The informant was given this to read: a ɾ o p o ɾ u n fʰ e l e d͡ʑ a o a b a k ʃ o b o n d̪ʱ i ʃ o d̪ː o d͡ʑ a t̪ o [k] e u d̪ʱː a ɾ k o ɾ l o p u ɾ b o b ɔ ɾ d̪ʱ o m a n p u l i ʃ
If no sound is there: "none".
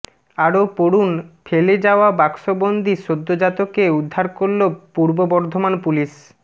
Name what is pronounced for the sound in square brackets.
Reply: k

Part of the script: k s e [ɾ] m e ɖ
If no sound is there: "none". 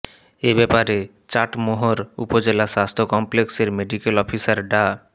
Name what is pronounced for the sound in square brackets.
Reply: ɾ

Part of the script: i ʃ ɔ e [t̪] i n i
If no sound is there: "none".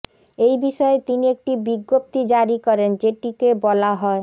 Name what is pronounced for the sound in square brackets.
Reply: t̪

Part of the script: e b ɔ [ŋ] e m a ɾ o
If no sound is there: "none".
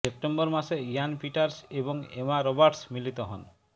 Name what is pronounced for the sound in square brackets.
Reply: ŋ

